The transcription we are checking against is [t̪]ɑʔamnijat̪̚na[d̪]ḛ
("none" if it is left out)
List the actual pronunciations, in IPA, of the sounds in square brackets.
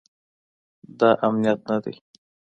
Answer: d̪, d̪

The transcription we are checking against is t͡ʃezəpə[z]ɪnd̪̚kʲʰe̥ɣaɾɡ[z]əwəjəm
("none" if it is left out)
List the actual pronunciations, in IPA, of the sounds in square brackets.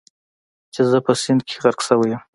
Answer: s, s

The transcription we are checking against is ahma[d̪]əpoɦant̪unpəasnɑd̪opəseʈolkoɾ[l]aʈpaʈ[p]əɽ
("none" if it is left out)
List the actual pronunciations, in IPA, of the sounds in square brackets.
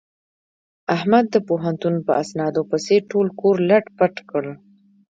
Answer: d̪ː, l, k

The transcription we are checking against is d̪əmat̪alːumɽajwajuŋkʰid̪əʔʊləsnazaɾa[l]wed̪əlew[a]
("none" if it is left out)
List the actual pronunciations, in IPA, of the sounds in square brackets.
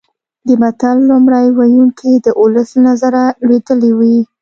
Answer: l, i

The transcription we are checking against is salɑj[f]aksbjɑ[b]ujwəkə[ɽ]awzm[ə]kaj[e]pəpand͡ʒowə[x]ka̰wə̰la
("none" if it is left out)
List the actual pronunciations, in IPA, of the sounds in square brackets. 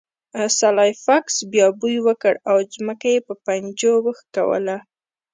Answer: f, b, ɽ, ə, e, x

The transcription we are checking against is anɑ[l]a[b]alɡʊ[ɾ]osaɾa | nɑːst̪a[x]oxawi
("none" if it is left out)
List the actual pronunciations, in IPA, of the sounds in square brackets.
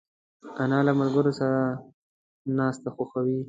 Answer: l, m, ɾ, x

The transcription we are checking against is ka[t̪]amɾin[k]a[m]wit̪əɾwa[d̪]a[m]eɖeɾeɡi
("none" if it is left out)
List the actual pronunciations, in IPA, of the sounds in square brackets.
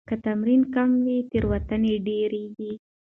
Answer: t̪, k, m, t̪, n

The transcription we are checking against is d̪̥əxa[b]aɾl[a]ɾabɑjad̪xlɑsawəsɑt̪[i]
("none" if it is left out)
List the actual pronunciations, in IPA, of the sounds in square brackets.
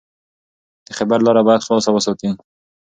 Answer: b, ɑ, i

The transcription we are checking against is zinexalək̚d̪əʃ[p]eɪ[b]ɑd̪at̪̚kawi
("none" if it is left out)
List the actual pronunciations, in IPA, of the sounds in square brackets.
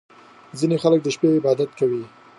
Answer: p, b

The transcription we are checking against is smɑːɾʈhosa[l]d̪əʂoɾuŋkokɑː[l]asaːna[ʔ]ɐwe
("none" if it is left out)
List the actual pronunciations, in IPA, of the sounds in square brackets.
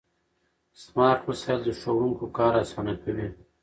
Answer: l, ɾ, k

